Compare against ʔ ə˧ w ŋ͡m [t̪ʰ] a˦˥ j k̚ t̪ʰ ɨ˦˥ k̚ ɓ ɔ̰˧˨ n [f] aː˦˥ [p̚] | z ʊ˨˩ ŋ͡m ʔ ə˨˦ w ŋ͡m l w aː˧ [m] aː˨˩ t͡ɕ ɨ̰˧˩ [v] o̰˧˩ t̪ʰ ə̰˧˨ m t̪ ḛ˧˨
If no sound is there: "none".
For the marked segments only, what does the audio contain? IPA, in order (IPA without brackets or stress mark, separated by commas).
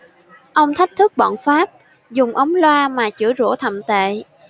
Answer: t̪ʰ, f, p̚, m, z